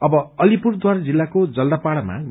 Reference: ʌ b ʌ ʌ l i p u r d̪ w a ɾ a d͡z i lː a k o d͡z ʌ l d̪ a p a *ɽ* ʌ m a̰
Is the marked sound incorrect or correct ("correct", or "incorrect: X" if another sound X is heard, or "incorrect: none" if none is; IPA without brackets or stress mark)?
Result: correct